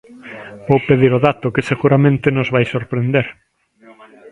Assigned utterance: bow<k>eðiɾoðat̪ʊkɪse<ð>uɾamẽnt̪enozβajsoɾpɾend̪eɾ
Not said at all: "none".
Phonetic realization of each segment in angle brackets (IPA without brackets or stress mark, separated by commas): p, ɣ